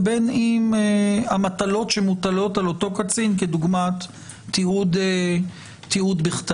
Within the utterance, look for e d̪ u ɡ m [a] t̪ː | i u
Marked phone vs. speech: correct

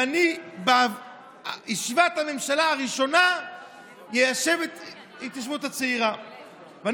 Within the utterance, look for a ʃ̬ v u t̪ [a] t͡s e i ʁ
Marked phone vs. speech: correct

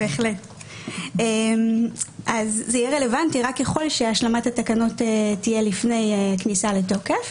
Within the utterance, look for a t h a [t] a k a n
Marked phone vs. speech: correct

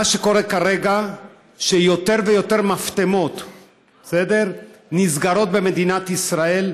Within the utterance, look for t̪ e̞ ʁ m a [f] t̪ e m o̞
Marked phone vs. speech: correct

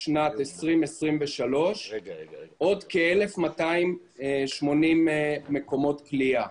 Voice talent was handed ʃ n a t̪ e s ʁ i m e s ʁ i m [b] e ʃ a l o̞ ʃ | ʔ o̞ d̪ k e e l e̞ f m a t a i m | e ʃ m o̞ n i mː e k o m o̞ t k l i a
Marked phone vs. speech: incorrect: v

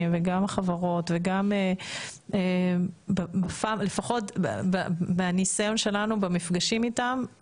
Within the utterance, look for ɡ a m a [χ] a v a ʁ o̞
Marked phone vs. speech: correct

